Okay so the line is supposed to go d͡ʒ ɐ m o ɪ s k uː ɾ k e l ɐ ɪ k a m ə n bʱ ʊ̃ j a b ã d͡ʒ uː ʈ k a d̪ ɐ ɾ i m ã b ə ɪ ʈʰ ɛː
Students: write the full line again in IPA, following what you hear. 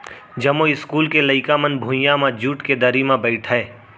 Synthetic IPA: d͡ʒ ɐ m o ɪ s k uː l k e l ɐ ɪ k a m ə n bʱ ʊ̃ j a m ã d͡ʒ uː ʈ k e d̪ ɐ ɾ i m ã b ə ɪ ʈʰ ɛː